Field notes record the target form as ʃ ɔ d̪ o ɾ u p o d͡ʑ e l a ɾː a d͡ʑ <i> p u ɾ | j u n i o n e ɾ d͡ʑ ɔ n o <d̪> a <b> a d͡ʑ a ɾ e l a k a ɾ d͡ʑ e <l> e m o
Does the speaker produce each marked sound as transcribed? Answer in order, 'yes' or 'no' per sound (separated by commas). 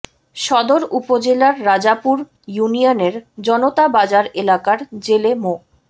no, no, yes, yes